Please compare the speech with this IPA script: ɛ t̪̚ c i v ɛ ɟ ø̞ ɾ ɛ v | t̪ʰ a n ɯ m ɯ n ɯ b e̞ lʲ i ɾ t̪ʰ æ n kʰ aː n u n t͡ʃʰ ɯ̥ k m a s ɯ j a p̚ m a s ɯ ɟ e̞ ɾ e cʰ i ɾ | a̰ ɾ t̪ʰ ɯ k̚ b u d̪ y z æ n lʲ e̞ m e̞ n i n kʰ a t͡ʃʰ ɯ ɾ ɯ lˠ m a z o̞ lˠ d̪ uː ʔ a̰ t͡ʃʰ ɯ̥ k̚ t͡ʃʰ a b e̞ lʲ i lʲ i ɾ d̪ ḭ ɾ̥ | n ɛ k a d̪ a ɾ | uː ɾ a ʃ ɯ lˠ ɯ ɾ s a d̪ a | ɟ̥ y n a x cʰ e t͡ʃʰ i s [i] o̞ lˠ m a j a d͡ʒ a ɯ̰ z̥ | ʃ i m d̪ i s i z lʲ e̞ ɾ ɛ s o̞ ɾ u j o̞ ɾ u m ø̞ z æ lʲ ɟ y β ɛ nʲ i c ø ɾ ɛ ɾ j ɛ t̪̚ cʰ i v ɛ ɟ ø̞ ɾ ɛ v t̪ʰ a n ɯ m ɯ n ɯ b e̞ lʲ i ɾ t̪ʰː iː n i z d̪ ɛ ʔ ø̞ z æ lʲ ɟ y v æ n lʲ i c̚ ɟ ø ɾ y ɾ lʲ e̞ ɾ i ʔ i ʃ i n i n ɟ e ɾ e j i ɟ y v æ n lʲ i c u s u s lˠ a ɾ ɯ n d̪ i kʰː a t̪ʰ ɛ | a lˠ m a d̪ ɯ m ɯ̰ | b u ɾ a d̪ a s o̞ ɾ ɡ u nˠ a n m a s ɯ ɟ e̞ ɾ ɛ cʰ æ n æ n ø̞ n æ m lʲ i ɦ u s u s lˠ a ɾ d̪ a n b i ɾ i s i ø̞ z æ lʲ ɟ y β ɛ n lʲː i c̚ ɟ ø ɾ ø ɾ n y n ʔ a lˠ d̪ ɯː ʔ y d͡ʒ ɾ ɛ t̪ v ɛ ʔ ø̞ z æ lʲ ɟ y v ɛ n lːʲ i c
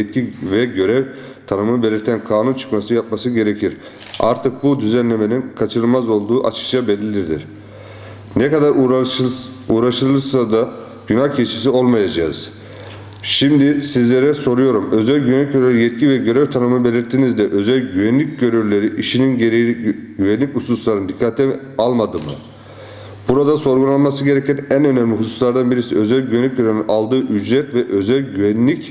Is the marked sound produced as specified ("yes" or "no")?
yes